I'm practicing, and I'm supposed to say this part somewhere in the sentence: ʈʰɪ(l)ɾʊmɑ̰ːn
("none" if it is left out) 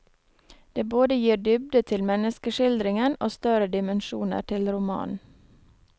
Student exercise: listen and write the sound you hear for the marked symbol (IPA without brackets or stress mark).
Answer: l